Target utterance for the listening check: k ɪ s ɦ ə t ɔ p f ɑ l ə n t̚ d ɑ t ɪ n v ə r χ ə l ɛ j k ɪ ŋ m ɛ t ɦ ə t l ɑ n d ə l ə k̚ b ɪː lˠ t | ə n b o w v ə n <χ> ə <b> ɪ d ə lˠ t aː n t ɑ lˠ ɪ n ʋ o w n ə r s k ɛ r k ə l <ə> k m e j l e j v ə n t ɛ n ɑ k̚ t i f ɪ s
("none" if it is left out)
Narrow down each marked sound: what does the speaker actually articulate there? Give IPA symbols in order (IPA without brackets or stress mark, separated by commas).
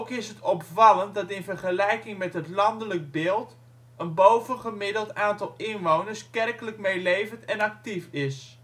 χ, m, ə